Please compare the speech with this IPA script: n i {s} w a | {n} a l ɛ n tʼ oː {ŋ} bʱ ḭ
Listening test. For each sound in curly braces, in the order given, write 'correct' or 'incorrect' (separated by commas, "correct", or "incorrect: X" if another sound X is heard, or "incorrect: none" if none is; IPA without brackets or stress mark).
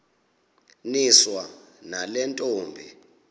correct, correct, incorrect: m